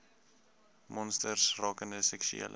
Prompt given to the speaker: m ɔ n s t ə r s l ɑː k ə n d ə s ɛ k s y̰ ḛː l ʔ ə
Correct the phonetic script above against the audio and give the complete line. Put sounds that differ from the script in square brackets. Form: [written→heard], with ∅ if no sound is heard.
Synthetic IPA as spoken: m ɔ n s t ə r s [l→r] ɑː k ə n d ə s ɛ k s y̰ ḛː l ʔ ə